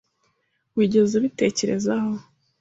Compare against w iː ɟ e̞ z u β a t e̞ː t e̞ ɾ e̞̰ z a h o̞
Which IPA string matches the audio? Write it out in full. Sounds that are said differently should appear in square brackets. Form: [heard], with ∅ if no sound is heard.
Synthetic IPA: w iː ɟ e̞ z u β [i] t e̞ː [c] e̞ ɾ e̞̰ z a h o̞